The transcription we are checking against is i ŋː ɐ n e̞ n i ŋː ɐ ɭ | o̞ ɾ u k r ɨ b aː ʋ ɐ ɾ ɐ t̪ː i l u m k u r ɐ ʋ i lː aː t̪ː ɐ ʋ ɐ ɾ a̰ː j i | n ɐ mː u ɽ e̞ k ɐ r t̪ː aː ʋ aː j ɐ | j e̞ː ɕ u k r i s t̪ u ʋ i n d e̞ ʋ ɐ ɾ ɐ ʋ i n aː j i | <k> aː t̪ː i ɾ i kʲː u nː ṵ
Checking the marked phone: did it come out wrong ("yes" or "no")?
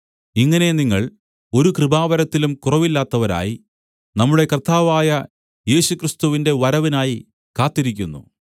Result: no